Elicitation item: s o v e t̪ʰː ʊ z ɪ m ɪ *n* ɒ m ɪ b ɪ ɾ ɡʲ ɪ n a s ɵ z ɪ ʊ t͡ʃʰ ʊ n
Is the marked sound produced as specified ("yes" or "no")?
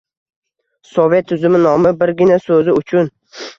yes